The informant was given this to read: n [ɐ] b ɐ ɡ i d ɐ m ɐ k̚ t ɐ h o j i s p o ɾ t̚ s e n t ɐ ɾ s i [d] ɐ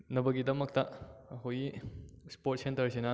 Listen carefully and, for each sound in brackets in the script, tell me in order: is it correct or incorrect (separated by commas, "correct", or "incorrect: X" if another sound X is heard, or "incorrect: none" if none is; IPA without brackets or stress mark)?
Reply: correct, incorrect: n